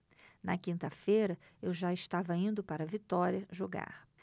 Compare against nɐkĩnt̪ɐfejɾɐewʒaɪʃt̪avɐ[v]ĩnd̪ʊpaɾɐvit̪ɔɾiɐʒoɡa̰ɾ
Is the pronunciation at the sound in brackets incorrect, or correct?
incorrect: none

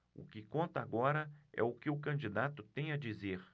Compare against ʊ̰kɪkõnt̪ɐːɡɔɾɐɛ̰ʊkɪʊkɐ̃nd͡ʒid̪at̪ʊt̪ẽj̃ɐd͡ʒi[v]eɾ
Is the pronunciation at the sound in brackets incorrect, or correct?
incorrect: z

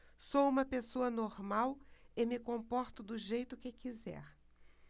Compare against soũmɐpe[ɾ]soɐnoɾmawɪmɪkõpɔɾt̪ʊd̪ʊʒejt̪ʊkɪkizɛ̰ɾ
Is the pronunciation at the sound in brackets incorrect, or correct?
incorrect: none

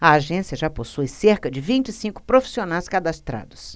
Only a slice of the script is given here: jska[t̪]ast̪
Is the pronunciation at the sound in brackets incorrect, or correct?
incorrect: d̪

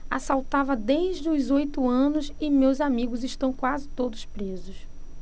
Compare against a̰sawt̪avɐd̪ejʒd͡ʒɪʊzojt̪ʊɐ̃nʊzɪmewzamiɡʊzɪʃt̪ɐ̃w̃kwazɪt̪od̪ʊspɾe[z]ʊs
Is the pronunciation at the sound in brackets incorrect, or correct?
correct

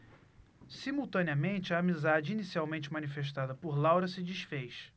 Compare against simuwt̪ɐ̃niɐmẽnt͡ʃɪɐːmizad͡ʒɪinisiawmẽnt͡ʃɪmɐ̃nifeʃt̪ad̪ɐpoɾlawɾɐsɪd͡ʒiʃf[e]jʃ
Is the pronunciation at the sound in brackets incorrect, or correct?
correct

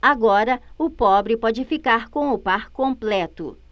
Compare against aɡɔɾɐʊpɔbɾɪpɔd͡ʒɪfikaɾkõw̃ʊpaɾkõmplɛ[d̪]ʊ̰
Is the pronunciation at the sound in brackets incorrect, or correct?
incorrect: t̪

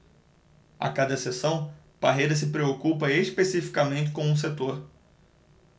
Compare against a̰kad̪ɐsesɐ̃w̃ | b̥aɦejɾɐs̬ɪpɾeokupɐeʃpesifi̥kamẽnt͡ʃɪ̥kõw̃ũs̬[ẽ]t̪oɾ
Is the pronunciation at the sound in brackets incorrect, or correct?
incorrect: e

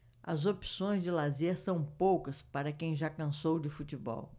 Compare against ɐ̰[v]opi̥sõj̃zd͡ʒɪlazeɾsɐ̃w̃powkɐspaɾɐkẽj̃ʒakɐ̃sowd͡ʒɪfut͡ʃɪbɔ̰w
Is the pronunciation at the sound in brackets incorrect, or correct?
incorrect: z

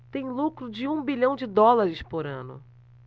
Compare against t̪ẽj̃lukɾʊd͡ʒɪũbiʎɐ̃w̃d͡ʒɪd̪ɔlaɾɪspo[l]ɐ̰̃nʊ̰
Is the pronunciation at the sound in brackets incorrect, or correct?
incorrect: ɾ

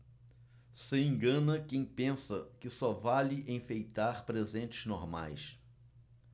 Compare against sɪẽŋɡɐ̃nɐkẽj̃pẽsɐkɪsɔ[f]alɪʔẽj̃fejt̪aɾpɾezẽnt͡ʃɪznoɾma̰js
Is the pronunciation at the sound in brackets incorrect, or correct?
incorrect: v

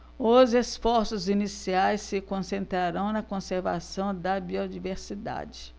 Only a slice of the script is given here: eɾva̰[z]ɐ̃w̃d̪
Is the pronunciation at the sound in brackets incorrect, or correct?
incorrect: s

